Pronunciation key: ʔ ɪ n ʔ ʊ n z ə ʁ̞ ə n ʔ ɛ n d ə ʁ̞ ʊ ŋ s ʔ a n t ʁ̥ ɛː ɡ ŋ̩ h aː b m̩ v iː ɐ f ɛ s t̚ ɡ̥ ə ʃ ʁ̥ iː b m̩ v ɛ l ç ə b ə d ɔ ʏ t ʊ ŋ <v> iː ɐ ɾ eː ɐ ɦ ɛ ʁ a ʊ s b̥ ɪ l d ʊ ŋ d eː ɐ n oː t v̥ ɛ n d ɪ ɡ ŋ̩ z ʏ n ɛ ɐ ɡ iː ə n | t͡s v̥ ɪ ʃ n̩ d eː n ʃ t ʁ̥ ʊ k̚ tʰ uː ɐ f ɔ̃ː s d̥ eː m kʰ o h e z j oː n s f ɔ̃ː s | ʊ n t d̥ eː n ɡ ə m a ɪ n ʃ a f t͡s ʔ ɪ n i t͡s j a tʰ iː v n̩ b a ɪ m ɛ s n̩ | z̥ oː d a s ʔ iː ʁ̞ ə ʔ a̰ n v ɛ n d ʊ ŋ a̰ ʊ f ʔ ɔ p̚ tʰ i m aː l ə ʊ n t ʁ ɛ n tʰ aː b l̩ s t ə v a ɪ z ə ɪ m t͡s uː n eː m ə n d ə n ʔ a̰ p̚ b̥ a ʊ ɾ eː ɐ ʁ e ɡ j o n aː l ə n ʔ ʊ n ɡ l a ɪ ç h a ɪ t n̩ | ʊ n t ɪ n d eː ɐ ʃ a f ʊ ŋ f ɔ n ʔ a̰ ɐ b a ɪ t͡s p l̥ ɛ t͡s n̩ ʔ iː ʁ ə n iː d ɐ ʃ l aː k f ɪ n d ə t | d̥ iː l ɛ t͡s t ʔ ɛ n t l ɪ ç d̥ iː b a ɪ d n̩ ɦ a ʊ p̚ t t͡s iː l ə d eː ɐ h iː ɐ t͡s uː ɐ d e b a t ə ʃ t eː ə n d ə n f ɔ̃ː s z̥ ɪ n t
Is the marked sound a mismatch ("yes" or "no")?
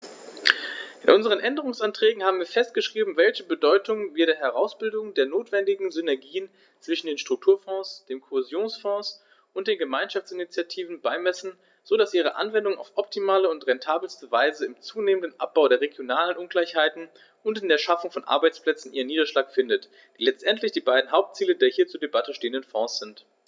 no